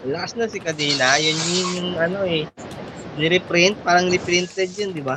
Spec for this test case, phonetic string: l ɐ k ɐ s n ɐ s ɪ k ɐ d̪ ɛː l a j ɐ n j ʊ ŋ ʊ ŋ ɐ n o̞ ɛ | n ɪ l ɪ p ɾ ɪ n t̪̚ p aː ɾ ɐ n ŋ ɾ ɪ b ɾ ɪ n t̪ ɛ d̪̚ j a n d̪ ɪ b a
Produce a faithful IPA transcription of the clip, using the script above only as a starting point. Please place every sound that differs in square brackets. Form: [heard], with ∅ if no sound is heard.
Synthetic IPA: l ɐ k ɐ s n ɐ s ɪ k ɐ d̪ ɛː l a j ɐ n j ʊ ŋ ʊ ŋ ɐ n o̞ ɛ | n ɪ [ɾ] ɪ p ɾ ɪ n t̪̚ p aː ɾ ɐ [∅] ŋ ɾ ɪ [p] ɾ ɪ n t̪ ɛ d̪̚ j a n d̪ ɪ b a